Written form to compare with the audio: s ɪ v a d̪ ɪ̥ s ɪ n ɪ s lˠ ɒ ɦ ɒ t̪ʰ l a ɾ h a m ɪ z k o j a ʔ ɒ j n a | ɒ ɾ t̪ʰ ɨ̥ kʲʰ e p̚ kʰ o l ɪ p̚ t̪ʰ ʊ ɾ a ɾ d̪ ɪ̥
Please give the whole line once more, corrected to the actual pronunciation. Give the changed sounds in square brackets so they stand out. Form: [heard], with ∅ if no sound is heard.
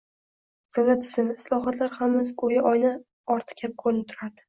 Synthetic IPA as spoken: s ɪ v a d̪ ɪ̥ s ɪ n ɪ s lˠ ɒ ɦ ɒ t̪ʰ l a ɾ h a m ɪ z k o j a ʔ ɒ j n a | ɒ ɾ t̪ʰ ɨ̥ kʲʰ [a] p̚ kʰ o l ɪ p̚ t̪ʰ ʊ ɾ a ɾ d̪ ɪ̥

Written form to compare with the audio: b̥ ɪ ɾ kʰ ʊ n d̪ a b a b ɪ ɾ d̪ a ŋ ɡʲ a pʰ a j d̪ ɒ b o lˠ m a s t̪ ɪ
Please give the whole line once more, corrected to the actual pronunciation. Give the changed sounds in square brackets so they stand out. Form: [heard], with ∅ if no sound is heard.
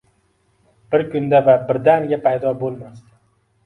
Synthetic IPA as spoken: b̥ ɪ ɾ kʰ ʊ n d̪ a [v] a b ɪ ɾ d̪ a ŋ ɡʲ a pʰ a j d̪ ɒ b o lˠ m a s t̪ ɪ

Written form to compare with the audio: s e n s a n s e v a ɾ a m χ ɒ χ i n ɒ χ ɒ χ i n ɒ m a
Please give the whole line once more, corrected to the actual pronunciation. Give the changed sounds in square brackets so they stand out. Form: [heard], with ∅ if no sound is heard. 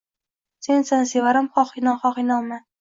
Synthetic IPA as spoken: s e n s a n s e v a ɾ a m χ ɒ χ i n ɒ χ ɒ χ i n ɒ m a

